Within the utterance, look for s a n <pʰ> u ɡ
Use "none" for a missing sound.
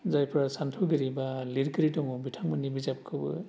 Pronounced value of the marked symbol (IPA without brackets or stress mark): tʰ